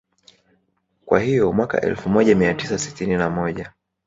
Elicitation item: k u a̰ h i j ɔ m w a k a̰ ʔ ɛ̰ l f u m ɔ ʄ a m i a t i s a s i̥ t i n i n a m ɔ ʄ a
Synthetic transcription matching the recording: k w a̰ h i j ɔ m w a k a̰ ʔ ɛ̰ l f u m ɔ ʄ a m i a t i s a s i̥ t i n i n a m ɔ ʄ a